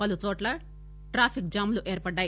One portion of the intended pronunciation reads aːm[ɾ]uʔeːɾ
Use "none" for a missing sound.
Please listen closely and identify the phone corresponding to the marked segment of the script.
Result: l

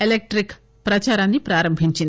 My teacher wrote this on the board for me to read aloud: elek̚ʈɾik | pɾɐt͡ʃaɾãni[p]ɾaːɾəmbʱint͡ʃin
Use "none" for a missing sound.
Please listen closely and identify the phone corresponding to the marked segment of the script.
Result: p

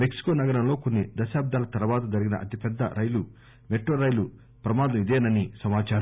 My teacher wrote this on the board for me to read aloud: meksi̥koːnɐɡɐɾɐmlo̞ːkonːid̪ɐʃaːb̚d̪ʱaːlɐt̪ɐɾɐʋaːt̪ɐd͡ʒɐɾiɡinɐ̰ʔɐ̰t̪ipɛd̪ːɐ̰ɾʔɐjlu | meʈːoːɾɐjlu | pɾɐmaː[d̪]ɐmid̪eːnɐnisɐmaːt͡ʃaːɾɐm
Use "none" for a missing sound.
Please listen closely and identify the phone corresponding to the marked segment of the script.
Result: d̪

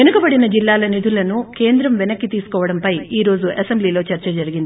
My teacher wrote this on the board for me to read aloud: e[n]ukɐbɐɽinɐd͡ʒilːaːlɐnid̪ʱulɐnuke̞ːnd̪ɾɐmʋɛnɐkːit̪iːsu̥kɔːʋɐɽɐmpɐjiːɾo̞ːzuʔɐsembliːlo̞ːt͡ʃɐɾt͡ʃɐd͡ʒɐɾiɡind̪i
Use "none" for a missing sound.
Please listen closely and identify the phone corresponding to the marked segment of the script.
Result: n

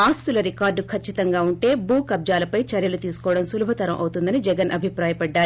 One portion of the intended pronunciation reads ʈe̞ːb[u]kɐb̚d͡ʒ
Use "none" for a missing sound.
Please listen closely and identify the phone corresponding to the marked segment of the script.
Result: uː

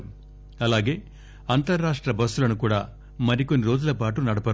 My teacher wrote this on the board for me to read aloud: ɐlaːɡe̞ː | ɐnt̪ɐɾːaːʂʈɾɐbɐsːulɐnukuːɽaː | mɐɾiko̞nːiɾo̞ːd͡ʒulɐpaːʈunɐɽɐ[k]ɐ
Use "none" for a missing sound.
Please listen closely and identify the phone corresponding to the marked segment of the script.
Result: p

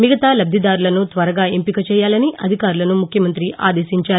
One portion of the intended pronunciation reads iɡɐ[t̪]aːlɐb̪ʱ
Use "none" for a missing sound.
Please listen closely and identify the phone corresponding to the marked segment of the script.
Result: t̪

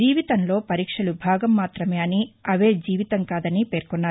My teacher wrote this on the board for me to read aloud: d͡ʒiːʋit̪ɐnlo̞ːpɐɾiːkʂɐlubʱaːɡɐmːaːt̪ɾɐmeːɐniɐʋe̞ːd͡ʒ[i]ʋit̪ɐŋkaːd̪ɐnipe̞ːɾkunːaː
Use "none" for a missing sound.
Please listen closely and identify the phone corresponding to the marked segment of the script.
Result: iː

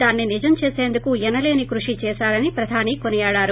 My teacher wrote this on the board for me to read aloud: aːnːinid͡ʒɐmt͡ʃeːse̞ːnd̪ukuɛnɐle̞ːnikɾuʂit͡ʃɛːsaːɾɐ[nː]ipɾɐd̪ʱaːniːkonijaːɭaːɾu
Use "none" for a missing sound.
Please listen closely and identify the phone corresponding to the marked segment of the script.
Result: n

